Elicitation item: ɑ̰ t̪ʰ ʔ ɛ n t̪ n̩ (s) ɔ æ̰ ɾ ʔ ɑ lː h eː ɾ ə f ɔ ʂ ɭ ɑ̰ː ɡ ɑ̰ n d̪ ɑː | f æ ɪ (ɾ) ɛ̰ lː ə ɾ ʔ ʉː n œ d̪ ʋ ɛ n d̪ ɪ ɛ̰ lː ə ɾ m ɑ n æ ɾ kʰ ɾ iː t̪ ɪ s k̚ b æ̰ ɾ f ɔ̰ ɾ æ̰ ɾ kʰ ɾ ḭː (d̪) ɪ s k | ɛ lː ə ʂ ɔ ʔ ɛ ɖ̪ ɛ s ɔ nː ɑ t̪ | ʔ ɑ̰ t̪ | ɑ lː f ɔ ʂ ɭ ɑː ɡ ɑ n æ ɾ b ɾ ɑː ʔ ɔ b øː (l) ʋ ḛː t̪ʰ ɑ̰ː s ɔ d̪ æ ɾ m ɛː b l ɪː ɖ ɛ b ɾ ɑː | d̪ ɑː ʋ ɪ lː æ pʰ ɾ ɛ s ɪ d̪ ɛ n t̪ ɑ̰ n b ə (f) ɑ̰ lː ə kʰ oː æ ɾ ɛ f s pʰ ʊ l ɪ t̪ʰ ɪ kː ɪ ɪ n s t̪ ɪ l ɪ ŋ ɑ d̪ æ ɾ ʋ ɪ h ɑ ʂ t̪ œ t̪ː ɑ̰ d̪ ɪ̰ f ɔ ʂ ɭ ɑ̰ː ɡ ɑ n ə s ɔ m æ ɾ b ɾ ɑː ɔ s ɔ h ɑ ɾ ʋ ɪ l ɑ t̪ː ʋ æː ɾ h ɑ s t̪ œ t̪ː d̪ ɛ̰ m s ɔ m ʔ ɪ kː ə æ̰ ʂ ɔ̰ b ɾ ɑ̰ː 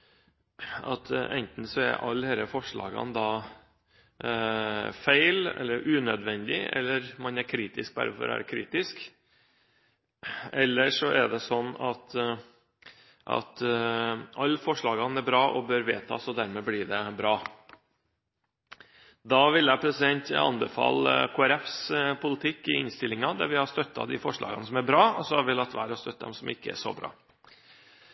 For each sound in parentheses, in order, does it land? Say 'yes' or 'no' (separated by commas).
yes, no, no, no, yes